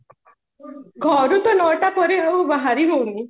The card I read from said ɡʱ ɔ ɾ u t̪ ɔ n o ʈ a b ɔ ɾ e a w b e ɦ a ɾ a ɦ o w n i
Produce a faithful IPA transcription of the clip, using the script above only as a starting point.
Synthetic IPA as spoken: ɡʱ ɔ ɾ u t̪ ɔ n ɔ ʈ a p ɔ ɾ e a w b a ɦ a ɾ i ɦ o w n i